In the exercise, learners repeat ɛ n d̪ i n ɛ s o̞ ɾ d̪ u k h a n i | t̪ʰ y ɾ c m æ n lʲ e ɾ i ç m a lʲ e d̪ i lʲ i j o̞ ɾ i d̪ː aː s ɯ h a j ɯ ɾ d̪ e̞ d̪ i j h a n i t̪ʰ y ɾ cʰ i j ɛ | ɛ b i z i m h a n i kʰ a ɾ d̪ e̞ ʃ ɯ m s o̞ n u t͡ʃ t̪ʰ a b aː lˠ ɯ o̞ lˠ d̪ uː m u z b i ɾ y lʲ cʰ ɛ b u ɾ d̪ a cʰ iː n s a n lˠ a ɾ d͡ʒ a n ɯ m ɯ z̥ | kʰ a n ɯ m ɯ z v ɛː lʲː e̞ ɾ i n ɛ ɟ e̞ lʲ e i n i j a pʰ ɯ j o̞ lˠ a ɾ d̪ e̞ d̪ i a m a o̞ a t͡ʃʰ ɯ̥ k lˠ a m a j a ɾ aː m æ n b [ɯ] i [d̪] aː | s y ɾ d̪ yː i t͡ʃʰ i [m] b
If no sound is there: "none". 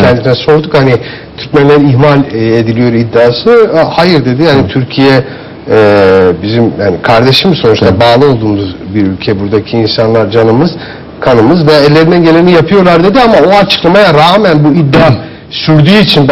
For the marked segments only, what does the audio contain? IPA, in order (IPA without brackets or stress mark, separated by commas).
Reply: u, d̪ː, n